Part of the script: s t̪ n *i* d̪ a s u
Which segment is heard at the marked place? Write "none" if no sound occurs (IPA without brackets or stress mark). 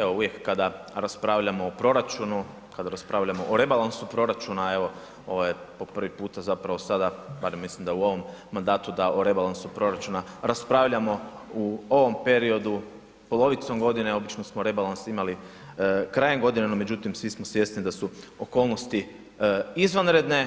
i